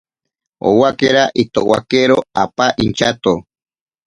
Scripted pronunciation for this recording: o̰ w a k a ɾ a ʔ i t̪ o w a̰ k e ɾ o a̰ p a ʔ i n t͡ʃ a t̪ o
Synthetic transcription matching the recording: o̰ w a k e ɾ a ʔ i t̪ o w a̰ k e ɾ o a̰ p a ʔ i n t͡ʃ a t̪ o

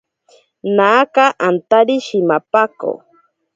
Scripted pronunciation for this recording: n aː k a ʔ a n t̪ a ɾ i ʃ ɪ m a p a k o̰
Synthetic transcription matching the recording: n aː k a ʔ a n t̪ a ɾ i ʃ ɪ m a p a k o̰

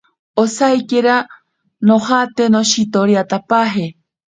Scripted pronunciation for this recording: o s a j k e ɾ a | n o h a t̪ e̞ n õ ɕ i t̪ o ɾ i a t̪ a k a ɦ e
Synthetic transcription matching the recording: o s a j k e ɾ a | n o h a t̪ e̞ n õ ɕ i t̪ o ɾ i a t̪ a p a ɦ e

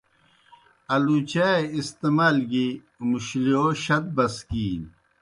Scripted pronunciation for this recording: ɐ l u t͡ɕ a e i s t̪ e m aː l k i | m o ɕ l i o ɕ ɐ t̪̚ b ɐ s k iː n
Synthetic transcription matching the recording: ɐ l u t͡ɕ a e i s t̪ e m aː l ɡ i | m u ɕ l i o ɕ ɐ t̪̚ b ɐ s k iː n

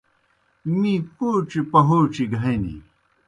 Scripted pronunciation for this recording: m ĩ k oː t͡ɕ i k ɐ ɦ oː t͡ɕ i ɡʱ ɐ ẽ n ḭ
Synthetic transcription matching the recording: m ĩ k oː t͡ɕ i p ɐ ɦ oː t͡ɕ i ɡʱ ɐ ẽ n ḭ

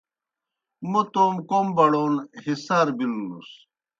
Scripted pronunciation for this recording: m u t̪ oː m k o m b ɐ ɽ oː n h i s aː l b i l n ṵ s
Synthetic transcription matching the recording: m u t̪ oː m k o m b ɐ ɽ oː n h i s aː ɾ b i l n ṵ s

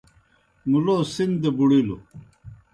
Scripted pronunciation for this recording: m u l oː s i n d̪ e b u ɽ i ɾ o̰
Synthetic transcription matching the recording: m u l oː s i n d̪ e b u ɽ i l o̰

